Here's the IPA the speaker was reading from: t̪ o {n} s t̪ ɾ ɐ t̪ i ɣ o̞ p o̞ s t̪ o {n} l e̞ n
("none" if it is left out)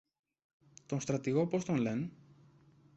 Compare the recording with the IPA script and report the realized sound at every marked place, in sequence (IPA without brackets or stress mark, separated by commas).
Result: n, n